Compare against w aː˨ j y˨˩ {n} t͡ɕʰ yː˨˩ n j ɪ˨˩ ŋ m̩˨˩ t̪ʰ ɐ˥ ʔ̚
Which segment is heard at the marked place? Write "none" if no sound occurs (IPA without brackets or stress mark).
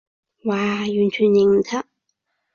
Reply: n